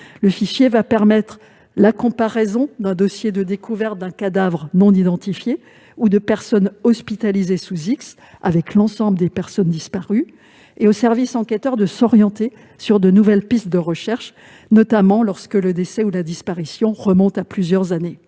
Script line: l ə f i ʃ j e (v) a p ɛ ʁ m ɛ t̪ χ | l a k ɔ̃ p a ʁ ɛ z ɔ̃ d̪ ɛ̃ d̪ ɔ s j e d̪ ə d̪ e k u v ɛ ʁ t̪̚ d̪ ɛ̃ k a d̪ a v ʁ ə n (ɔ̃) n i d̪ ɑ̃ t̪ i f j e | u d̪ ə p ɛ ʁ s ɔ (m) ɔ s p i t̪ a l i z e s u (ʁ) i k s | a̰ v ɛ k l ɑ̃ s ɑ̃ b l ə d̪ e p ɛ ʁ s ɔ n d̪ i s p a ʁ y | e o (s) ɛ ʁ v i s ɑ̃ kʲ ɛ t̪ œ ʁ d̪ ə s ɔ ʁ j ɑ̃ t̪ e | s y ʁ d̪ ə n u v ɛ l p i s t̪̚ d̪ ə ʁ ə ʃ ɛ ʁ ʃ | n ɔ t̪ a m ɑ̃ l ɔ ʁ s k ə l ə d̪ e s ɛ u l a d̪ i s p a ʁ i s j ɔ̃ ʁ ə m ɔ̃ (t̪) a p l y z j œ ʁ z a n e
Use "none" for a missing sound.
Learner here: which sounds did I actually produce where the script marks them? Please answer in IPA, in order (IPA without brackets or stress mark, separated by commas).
v, ɔ̃, n, z, s, t̪